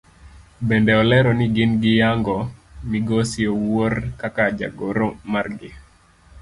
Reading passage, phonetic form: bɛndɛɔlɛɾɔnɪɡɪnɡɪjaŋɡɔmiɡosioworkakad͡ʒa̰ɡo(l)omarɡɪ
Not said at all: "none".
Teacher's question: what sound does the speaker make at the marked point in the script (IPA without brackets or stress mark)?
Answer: ɾ